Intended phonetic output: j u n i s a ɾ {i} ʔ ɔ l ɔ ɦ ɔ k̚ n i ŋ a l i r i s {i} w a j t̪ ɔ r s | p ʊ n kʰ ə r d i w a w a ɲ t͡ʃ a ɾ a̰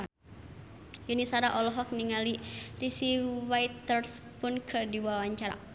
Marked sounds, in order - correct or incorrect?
incorrect: a, correct

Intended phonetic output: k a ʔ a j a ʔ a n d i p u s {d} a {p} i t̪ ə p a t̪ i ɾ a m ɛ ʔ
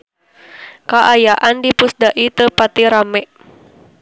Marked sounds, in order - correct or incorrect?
correct, incorrect: ʔ

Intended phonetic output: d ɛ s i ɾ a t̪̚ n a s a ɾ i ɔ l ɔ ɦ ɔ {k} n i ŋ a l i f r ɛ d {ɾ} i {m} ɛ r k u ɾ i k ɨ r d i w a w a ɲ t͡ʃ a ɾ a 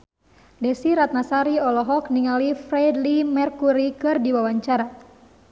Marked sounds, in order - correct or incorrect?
correct, incorrect: l, correct

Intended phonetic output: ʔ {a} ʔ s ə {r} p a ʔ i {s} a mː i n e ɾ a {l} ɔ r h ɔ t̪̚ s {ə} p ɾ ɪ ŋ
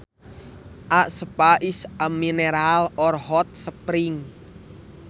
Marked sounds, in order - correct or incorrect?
correct, incorrect: none, correct, correct, correct

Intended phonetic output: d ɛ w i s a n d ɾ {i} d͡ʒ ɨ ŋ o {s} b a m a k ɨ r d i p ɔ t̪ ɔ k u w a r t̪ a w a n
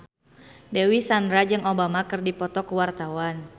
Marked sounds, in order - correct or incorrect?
incorrect: a, incorrect: none

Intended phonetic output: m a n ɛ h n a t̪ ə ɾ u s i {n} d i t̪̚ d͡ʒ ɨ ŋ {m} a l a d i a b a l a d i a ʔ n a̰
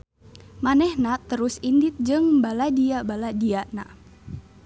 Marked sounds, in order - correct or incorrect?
correct, incorrect: b

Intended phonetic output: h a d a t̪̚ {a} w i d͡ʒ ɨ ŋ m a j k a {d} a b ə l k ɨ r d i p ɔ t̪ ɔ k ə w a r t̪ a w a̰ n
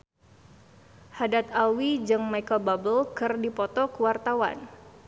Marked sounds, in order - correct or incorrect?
correct, incorrect: b

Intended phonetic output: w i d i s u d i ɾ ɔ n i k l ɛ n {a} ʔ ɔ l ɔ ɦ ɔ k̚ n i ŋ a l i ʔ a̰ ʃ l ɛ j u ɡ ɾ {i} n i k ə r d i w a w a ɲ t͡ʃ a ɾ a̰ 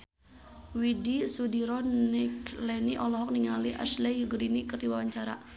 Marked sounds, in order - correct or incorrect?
incorrect: i, correct

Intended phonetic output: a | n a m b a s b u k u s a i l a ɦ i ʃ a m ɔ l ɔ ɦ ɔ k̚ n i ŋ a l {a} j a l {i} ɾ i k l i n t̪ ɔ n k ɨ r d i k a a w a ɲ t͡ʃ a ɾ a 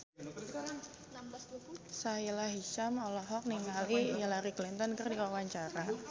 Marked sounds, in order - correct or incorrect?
incorrect: i, incorrect: a

